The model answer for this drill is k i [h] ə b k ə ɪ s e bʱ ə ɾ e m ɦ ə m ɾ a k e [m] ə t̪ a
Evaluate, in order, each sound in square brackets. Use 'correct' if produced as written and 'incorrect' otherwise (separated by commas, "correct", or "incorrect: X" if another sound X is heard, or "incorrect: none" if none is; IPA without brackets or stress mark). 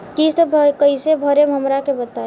incorrect: s, incorrect: b